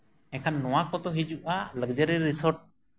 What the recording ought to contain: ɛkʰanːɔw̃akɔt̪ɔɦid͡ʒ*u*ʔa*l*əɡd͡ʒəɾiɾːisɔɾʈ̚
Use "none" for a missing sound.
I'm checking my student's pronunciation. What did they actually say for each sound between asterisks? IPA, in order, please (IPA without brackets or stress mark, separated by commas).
u, l